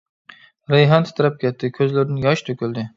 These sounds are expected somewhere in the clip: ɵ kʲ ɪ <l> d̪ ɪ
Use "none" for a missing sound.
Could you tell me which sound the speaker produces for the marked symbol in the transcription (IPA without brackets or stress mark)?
l